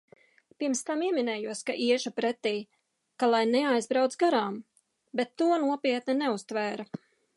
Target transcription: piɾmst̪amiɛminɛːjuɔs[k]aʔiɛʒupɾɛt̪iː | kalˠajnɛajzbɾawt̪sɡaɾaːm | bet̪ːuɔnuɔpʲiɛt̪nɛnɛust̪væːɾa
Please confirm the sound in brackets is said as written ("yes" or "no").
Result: yes